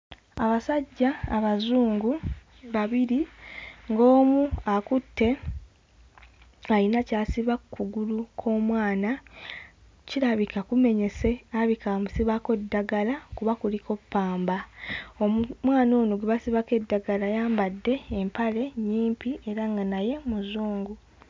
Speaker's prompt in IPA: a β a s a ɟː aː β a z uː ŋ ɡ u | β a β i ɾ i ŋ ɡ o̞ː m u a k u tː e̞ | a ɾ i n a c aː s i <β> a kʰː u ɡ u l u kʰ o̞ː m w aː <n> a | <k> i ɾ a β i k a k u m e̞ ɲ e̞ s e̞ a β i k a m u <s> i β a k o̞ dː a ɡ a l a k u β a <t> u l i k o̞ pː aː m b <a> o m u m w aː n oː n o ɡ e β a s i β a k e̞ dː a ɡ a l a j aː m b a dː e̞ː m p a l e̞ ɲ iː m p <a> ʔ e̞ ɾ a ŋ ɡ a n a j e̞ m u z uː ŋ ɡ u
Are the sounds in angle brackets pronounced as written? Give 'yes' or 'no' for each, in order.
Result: yes, yes, no, yes, no, yes, no

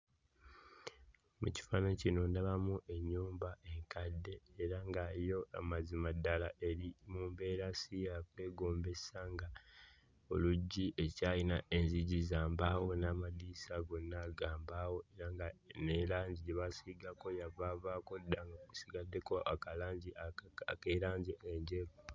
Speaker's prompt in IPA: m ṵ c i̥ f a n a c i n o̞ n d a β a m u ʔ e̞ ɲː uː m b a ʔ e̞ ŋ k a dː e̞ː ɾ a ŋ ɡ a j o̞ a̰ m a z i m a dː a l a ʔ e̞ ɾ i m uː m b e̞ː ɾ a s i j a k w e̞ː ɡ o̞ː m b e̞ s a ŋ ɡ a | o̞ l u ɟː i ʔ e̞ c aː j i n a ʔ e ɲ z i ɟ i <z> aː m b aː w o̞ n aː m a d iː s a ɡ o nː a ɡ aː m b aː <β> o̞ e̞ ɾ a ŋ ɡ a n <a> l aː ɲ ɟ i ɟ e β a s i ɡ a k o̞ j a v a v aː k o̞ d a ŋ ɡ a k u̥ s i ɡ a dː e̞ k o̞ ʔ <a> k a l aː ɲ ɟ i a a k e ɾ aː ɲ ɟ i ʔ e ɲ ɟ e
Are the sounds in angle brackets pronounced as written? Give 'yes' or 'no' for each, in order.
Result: yes, no, no, yes

